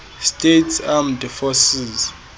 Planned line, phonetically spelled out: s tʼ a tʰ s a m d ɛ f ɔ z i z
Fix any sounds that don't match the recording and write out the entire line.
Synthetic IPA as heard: s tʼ e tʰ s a m d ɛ f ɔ s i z

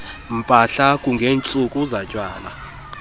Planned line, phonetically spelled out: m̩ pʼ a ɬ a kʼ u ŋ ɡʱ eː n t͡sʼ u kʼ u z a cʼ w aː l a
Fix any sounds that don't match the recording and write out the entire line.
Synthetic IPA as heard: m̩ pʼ a ɬ a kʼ u ŋ ɡʱ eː n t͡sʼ u kʼ u z a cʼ w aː l a

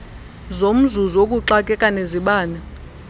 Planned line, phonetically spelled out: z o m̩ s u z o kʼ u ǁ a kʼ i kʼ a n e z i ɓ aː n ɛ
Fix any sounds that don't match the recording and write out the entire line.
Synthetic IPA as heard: z o m̩ z u z o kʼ u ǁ a kʼ ɛ kʼ a n e z i ɓ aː n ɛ

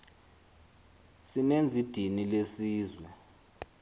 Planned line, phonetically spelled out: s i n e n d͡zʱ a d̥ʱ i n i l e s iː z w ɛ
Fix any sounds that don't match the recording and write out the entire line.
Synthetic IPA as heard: s i n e n d͡zʱ i d̥ʱ i n i l e s iː z w ɛ

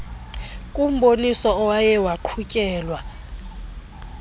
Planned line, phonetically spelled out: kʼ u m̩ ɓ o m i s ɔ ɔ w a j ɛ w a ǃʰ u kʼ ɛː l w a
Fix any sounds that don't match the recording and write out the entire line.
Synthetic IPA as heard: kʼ u m̩ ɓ o n i s ɔ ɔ w a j ɛ w a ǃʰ u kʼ ɛː l w a

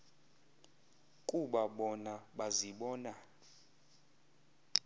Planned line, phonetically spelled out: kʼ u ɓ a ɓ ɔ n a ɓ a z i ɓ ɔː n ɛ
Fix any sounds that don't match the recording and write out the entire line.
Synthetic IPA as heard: kʼ u ɓ a ɓ ɔ n a ɓ a z i ɓ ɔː n a

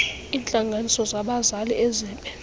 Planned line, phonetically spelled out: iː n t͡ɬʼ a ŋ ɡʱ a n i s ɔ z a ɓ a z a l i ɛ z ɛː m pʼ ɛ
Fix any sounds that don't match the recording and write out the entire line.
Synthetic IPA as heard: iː n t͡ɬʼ a ŋ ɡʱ a n i s ɔ z a ɓ a z a l i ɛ z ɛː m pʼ ɛ

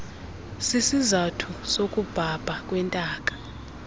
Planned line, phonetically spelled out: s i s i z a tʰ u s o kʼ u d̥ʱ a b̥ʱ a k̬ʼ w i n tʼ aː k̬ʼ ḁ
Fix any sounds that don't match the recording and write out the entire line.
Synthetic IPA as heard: s i s i z a tʰ u s o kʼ u b̥ʱ a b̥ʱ a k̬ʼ w ɛ n tʼ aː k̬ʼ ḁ

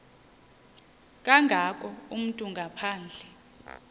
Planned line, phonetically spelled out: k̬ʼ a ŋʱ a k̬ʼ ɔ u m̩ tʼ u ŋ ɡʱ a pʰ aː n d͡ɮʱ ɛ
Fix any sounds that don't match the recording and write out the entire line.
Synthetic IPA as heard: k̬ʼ a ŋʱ a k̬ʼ ɔ u m̩ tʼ u ŋ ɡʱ a pʰ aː n d͡ɮʱ ɛ

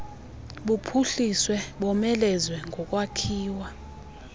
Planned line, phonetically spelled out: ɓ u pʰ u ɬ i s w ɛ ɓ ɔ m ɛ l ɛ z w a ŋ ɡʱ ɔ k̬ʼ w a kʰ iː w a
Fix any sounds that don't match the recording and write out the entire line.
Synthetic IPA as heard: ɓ u pʰ u ɬ i s w ɛ ɓ ɔ m ɛ l ɛ z w ɛ ŋ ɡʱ ɔ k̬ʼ w a kʰ iː w a

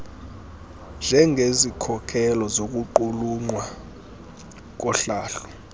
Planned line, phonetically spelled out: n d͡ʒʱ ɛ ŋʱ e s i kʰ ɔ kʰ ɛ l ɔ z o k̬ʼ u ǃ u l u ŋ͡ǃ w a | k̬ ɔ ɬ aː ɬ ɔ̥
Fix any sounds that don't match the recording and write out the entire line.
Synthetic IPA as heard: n d͡ʒʱ ɛ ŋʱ e z i kʰ ɔ kʰ ɛ l ɔ z o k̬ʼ u ǃ u l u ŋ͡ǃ w a | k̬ ɔ ɬ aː ɬ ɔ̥

